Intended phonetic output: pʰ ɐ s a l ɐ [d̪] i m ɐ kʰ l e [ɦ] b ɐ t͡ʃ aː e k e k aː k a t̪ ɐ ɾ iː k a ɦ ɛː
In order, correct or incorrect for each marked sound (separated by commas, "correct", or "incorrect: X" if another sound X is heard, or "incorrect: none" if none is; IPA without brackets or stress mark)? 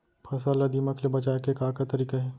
correct, incorrect: none